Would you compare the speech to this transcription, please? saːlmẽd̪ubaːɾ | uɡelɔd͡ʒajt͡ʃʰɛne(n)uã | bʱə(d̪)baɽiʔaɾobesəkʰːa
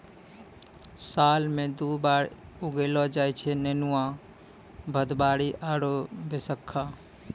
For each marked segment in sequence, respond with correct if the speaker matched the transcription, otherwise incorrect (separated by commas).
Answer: correct, correct